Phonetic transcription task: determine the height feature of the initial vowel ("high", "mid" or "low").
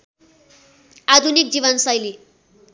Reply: low